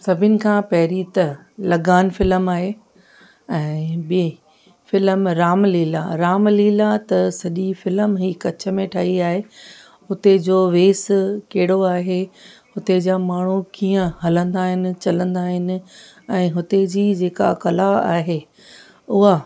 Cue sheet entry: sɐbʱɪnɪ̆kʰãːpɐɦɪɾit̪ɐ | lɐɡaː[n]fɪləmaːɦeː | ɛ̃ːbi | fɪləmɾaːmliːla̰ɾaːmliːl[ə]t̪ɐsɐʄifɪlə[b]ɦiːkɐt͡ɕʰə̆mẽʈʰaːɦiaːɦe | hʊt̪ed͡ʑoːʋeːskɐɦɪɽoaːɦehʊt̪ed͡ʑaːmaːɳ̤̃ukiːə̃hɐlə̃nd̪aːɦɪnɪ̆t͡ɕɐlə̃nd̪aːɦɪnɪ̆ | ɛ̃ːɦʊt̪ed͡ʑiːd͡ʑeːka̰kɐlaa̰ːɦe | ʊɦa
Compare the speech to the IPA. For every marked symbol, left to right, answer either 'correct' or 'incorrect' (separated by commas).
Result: correct, incorrect, incorrect